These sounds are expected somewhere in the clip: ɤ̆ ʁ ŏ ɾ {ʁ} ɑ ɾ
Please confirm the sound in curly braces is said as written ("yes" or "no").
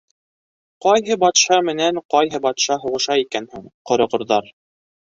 no